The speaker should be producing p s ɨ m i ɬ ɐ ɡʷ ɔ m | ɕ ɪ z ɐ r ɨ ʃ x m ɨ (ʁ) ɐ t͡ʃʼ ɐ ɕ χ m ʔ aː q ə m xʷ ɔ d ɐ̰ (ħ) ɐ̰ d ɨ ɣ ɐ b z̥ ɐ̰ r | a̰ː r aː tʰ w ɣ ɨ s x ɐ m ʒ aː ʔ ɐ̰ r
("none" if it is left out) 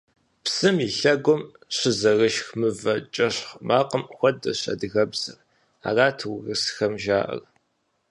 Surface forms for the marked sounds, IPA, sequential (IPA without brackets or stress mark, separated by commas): v, ɕ